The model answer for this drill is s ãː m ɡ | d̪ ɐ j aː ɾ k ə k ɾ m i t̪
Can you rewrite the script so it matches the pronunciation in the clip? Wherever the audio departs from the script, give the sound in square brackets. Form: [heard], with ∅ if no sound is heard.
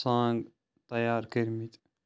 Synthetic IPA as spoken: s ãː [ŋ] ɡ | [t̪] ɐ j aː ɾ k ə [∅] ɾ m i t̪